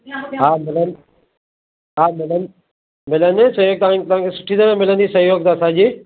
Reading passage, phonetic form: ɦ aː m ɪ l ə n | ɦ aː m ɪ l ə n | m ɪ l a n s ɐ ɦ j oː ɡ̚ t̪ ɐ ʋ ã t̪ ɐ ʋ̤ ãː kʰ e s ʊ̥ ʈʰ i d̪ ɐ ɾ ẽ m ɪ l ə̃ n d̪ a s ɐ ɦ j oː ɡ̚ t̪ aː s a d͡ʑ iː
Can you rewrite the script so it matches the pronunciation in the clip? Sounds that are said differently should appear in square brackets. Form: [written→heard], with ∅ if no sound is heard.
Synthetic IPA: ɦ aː m ɪ l ə n | ɦ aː m ɪ l ə n | m ɪ l [a→ə] n s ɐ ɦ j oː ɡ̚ t̪ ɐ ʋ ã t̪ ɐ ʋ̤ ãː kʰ e s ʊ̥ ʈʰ i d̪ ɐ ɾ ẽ m ɪ l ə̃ n d̪ [a→i] s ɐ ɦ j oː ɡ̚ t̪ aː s a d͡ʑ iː